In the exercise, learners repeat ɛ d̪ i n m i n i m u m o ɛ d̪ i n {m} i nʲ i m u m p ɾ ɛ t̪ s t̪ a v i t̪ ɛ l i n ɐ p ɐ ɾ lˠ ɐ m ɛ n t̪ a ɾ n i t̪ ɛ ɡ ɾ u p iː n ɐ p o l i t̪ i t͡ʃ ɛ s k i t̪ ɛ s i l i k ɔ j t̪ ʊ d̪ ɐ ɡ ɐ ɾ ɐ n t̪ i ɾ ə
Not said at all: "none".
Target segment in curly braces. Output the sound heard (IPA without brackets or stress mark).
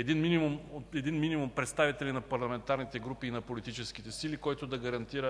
m